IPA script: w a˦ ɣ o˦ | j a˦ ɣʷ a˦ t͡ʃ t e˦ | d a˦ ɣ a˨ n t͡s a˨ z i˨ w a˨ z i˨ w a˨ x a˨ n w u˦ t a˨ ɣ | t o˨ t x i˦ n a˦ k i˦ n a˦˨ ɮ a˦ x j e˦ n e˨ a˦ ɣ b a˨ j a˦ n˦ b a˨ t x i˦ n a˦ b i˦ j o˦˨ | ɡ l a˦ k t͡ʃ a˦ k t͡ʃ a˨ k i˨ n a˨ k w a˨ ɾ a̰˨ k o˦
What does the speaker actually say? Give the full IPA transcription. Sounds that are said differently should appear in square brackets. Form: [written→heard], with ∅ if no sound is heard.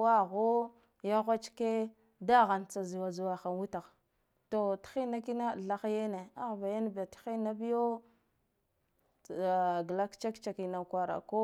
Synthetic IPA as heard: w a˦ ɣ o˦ | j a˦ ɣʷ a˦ t͡ʃ [t→k] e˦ | d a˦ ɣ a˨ n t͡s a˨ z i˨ w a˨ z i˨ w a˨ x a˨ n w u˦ t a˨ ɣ | t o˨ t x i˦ n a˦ k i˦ n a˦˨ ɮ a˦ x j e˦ n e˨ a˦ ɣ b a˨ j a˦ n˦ b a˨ t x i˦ n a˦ b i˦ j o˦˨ | ɡ l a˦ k t͡ʃ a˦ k t͡ʃ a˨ k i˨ n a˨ k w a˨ ɾ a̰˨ k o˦